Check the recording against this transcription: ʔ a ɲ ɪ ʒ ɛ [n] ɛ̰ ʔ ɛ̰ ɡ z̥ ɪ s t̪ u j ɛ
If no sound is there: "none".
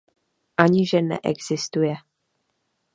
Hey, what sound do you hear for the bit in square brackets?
n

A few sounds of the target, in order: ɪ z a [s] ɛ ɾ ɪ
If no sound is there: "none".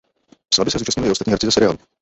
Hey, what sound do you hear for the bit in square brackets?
s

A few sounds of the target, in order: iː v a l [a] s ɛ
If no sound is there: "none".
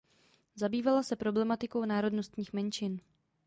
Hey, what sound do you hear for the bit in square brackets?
a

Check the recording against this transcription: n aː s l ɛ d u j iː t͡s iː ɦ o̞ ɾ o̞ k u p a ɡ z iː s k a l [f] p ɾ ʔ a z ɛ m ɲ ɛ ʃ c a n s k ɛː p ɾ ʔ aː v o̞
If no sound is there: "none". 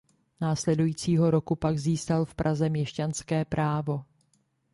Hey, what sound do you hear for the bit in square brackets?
f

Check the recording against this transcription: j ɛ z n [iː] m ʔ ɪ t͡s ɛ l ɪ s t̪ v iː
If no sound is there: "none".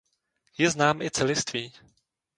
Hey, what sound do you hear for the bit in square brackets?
aː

